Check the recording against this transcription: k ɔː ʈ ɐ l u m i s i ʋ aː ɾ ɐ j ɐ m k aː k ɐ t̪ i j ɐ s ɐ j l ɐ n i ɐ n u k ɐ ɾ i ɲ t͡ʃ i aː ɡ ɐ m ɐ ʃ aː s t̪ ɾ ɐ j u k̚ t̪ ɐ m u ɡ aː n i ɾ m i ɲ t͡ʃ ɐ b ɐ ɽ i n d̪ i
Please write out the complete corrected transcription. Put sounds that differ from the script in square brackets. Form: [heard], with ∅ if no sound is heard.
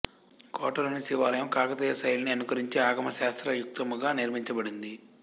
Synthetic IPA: k ɔː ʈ ɐ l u [n] i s i ʋ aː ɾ ɐ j ɐ m k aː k ɐ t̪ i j ɐ s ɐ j l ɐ n i ɐ n u k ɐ ɾ i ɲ t͡ʃ i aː ɡ ɐ m ɐ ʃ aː s t̪ ɾ ɐ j u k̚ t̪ ɐ m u ɡ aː n i ɾ m i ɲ t͡ʃ ɐ b ɐ ɽ i n d̪ i